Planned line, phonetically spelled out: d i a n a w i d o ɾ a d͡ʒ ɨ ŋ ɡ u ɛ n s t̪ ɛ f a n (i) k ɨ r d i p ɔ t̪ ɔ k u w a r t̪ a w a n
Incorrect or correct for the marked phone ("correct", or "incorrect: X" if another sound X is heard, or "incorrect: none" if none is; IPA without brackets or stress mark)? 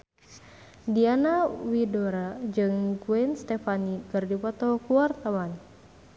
correct